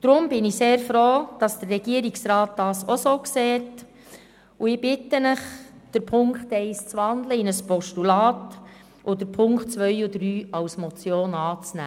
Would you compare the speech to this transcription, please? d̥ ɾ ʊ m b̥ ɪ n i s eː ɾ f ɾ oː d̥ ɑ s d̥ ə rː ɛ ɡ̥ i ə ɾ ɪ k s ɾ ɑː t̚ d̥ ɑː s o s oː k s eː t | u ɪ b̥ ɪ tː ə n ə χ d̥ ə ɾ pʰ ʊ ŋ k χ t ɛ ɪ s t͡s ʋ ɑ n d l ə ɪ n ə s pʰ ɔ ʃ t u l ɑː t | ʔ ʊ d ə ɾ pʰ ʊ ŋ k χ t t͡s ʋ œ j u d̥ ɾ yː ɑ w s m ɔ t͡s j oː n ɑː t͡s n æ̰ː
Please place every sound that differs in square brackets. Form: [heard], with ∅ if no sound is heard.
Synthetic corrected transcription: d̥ ɾ ʊ m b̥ ɪ n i s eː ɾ f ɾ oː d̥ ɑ s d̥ ə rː ɛ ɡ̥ i ə ɾ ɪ k s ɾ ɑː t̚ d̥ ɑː s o s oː k s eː t | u ɪ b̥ ɪ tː ə n ə χ d̥ ə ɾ pʰ ʊ ŋ k χ t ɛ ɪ s t͡s ʋ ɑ n d l ə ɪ n ə s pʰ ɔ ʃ t u l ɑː t | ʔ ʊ d ə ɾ pʰ ʊ ŋ k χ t t͡s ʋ œ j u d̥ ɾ yː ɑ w s m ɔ t͡s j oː n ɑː t͡s n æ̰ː